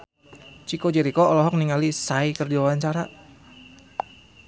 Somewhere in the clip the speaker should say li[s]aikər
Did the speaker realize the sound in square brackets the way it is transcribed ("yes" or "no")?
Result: yes